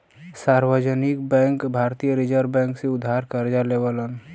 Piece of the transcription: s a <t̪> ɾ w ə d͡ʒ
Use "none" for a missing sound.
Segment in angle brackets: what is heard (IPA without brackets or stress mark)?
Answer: none